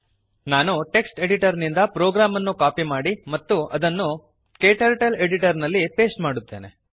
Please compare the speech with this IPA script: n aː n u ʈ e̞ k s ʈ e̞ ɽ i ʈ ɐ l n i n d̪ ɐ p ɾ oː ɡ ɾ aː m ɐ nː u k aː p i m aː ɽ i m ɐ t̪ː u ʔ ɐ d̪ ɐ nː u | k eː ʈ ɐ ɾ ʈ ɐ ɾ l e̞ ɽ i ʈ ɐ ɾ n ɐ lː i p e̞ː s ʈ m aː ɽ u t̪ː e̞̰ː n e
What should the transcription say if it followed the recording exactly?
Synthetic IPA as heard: n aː n u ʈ e̞ k s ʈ e̞ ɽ i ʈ ɐ ɾ n i n d̪ ɐ p ɾ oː ɡ ɾ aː m ɐ nː u k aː p i m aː ɽ i m ɐ t̪ː u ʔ ɐ d̪ ɐ nː u | k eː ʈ ɐ ɾ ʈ ɐ l e̞ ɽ i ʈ ɐ ɾ n ɐ lː i p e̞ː s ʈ m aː ɽ u t̪ː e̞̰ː n e